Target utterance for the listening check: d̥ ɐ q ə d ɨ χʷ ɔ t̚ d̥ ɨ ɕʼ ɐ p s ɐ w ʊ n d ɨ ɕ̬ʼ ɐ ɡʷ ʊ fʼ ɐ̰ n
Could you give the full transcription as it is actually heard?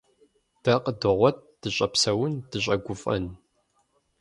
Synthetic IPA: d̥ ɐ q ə d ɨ ʁʷ ɔ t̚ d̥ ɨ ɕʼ ɐ p s ɐ w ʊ n d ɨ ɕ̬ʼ ɐ ɡʷ ʊ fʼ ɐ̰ n

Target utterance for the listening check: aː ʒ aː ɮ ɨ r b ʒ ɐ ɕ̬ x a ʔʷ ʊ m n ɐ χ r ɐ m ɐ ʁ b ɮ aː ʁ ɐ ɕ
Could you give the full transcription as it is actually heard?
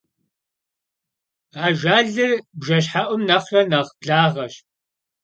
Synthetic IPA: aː ʒ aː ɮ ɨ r b ʒ ɐ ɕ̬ ħ a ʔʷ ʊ m n ɐ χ r ɐ n ɐ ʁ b ɮ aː ʁ ɐ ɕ

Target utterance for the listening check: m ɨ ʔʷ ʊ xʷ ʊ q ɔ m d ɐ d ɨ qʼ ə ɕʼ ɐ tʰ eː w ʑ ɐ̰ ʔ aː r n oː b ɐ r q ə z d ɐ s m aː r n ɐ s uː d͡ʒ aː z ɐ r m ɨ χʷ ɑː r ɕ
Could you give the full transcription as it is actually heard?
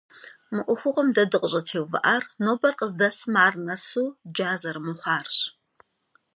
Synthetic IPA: m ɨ ʔʷ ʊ xʷ ʊ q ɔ m d ɐ d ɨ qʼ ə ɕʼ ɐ tʰ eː w v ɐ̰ ʔ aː r n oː b ɐ r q ə z d ɐ s m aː r n ɐ s uː d͡ʒ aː z ɐ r m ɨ χʷ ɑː r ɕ

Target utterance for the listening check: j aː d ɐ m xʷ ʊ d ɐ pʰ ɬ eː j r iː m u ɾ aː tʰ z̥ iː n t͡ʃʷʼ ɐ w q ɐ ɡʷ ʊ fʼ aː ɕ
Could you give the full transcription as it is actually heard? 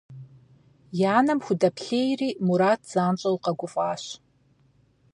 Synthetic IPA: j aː n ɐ m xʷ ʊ d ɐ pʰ ɬ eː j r iː m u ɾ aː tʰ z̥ aː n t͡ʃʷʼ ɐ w q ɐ ɡʷ ʊ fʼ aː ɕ

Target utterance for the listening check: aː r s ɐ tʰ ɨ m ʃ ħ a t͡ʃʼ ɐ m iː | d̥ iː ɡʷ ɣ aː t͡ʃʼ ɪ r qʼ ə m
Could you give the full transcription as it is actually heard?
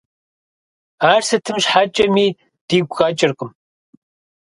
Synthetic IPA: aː r s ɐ tʰ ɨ m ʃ ħ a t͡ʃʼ ɐ m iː | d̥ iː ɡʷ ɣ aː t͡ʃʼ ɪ r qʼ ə m

